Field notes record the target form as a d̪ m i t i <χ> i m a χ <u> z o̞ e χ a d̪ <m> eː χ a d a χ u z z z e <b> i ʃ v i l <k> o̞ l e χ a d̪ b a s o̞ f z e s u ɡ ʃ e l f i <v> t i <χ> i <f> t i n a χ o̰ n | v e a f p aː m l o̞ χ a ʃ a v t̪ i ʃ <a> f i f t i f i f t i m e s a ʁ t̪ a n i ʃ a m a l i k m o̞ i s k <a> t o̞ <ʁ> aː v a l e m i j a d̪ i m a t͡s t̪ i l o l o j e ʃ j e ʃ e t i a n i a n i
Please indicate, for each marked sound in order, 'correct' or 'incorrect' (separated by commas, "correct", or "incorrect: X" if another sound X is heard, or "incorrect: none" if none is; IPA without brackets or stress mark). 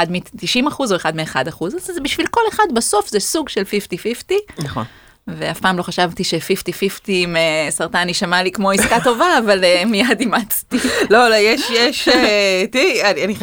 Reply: incorrect: ʃ, correct, correct, correct, correct, incorrect: f, incorrect: f, correct, incorrect: e, correct, incorrect: v